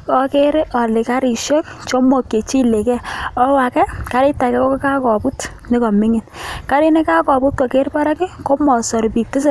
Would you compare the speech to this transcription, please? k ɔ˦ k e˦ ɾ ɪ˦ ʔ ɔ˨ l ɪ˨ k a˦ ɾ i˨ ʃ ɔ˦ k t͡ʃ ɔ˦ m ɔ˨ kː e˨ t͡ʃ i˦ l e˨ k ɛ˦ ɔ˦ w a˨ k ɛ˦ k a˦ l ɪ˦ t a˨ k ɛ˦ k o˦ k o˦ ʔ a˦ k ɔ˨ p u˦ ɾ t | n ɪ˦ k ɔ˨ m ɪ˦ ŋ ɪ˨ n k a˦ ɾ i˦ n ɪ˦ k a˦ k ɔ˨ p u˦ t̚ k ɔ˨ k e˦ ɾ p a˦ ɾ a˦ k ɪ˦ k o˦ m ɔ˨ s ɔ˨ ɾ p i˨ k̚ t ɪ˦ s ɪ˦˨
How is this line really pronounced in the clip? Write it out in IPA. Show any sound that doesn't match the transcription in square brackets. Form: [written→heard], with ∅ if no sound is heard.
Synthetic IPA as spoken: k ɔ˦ k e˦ ɾ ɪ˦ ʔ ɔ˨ l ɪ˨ k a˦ ɾ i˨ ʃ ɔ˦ k t͡ʃ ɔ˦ m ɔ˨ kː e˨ t͡ʃ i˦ l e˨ k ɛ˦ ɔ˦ w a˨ k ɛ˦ k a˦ [l→ɾ] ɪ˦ t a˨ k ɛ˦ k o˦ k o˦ [ʔ→k] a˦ k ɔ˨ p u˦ [ɾ→∅] t | n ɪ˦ k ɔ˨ m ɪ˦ ŋ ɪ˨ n k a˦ ɾ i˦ n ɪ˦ k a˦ k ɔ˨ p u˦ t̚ k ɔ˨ k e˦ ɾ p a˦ ɾ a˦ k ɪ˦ k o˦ m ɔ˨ s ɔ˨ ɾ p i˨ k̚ t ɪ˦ s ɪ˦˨